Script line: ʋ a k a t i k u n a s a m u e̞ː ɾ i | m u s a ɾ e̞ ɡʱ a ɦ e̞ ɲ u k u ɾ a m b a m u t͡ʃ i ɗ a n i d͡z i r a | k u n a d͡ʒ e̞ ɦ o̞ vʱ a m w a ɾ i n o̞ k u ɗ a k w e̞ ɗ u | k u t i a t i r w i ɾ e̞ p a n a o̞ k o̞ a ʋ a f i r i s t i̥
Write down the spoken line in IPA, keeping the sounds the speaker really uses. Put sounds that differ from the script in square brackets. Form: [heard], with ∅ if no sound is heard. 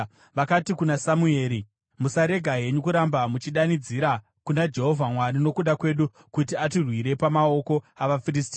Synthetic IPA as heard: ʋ a k a t i k u n a s a m u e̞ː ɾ i | m u s a ɾ e̞ ɡʱ a ɦ e̞ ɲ u k u ɾ a m b a m u t͡ʃ i ɗ a n i d͡z i [ɾ] a | k u n a d͡ʒ e̞ ɦ o̞ vʱ a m w a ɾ i n o̞ k u ɗ a k w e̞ ɗ u | k u t i a t i r w i ɾ e̞ p a [m] a o̞ k o̞ a ʋ a f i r i s t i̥

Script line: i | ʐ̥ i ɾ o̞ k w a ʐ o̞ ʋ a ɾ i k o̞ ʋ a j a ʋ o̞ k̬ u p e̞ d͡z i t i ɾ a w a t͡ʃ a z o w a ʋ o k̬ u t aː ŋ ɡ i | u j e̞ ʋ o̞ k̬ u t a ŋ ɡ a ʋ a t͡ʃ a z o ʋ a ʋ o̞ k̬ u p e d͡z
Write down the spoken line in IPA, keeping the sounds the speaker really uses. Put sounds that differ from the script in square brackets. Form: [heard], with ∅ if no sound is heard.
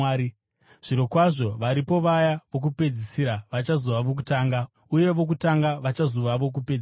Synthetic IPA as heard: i | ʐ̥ i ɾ o̞ k w a ʐ o̞ ʋ a ɾ i [p] o̞ ʋ a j a ʋ o̞ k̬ u p e̞ d͡z i [s] i ɾ a [ʋ] a t͡ʃ a z o [ʋ] a ʋ o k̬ u t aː ŋ ɡ [a] | u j e̞ ʋ o̞ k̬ u t a ŋ ɡ a ʋ a t͡ʃ a z o ʋ a ʋ o̞ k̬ u p e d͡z

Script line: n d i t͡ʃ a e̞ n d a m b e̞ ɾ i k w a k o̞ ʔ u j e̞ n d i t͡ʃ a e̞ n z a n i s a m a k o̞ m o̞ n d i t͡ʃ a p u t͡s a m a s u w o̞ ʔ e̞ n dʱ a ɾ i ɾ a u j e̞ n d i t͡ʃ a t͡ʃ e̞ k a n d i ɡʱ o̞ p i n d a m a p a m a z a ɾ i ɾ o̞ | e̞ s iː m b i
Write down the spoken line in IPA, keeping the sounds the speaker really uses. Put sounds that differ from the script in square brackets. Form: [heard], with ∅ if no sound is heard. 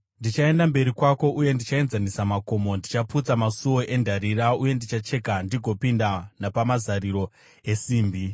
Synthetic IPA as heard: n d i t͡ʃ a e̞ n d a m b e̞ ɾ i k w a k o̞ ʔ u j e̞ n d i t͡ʃ a e̞ n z a n i s a m a k o̞ m o̞ n d i t͡ʃ a p u t͡s a m a s u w o̞ ʔ e̞ n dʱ a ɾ i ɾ a u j e̞ n d i t͡ʃ a t͡ʃ e̞ k a n d i ɡʱ o̞ p i n d a [n] a p a m a z a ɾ i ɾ o̞ | e̞ s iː m b i

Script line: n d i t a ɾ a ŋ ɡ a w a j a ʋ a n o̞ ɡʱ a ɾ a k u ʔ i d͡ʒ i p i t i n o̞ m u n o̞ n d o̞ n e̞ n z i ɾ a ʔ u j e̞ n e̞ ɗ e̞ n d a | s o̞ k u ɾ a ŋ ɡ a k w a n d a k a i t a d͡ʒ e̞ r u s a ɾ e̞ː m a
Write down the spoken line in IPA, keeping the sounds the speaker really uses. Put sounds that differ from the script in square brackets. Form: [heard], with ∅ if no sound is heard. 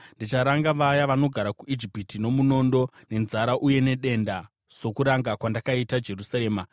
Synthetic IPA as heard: n d i [t͡ʃ] a ɾ a ŋ ɡ a [ʋ] a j a ʋ a n o̞ ɡʱ a ɾ a k u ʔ i d͡ʒ i p i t i n o̞ m u n o̞ n d o̞ n e̞ n z [a] ɾ a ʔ u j e̞ n e̞ ɗ e̞ n d a | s o̞ k u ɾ a ŋ ɡ a k w a n d a k a i t a d͡ʒ e̞ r u s a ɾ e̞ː m a

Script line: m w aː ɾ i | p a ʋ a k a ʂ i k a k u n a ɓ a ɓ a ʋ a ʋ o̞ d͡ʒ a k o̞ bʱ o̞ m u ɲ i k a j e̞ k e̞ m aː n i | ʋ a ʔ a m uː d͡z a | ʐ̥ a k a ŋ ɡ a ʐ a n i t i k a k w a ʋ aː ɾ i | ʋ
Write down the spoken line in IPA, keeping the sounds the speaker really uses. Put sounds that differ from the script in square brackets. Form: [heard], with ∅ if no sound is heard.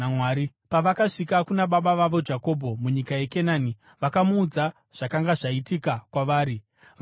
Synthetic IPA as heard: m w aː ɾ i | p a ʋ a k a ʂ i k a k u n a ɓ a ɓ a ʋ a ʋ o̞ d͡ʒ a k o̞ bʱ o̞ m u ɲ i k a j e̞ k e̞ [n] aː n i | ʋ a [k] a m uː d͡z a | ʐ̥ a k a ŋ ɡ a ʐ a [∅] i t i k a k w a ʋ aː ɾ i | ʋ

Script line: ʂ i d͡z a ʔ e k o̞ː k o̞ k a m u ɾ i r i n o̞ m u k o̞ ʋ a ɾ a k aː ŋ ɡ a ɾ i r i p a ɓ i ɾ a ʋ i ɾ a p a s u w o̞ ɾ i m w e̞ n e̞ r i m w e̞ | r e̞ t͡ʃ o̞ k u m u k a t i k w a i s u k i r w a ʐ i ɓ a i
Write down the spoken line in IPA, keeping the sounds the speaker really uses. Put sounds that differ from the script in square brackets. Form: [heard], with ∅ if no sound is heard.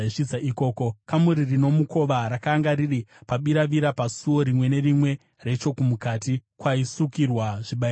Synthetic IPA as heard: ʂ i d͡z a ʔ [i] k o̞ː k o̞ k a m u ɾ i r i n o̞ m u k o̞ ʋ a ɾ a k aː ŋ ɡ a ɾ i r i p a ɓ i ɾ a ʋ i ɾ a p a s u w o̞ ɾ i m w e̞ n e̞ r i m w e̞ | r e̞ t͡ʃ o̞ k u m u k a t i k w a i s u k i r w a ʐ i ɓ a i

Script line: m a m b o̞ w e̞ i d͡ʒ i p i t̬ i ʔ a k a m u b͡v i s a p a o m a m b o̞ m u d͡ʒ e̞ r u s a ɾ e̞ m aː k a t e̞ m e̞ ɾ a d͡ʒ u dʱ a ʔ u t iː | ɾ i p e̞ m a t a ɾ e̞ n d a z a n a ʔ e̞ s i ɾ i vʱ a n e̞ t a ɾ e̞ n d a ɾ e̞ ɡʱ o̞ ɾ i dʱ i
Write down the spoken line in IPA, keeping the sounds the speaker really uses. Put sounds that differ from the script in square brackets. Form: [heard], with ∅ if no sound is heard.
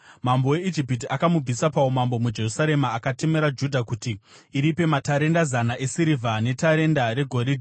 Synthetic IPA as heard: m a m b o̞ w e̞ i d͡ʒ i p i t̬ i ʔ a k a m u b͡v i s a p a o m a m b o̞ m u d͡ʒ e̞ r u s a ɾ e̞ m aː k a t e̞ m e̞ ɾ a d͡ʒ u dʱ a [k] u t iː | ɾ i p e̞ m a t a ɾ e̞ n d a z a n a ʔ e̞ s i ɾ i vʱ a n e̞ t a ɾ e̞ n d a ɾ e̞ ɡʱ o̞ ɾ i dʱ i

